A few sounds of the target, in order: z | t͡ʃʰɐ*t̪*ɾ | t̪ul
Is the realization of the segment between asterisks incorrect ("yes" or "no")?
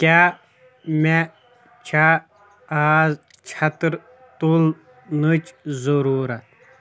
no